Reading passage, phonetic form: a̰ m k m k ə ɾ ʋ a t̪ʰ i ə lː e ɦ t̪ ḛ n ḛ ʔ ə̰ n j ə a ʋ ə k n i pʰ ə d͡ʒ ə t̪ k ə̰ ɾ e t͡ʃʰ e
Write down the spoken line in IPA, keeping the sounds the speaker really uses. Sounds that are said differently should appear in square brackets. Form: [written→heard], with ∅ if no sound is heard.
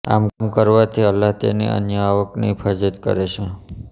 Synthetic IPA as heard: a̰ m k m k ə ɾ ʋ a t̪ʰ i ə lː [e→a] ɦ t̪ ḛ n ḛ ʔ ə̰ n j ə a ʋ ə k n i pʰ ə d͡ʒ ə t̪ k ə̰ ɾ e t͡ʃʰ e